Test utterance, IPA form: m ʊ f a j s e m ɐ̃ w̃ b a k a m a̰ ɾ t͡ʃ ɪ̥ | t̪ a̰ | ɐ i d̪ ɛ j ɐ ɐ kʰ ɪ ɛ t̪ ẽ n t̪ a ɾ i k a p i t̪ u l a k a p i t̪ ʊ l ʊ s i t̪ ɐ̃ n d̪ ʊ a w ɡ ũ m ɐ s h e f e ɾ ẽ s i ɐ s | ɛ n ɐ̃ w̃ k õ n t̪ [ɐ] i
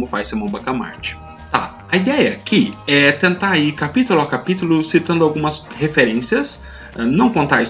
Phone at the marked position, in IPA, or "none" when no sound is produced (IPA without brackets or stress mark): a